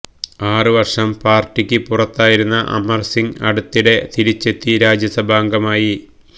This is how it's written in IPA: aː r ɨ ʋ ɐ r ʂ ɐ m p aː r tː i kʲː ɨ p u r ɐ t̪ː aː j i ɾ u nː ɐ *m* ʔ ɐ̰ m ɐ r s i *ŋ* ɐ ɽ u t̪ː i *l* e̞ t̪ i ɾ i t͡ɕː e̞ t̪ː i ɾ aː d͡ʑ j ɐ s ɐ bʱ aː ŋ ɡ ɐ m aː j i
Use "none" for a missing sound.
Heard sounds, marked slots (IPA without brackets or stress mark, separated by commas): none, ŋ, ɽ